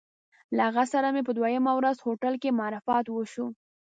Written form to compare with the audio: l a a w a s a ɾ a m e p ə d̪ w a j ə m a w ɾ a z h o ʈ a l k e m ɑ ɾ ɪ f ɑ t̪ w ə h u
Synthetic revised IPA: l a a ɣ a s a ɾ a m e p ə d̪ w a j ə m a w ɾ a z h o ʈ a l k e m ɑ ɾ ɪ f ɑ t̪ w ə ʃ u